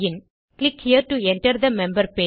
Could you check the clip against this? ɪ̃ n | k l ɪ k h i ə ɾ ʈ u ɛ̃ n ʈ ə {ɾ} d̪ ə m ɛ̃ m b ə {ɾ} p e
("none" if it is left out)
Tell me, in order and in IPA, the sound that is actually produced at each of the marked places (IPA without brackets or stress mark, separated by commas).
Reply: ɾ, ɾ